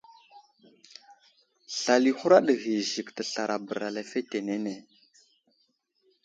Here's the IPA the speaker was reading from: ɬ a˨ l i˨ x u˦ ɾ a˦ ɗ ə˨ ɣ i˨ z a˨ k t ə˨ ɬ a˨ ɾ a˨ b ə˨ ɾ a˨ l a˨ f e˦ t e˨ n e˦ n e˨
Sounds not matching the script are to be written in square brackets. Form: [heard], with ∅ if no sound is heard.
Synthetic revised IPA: ɬ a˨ l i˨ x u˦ ɾ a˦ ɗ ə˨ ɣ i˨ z [i˨] k t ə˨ ɬ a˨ ɾ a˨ b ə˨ ɾ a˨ l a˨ f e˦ t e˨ n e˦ n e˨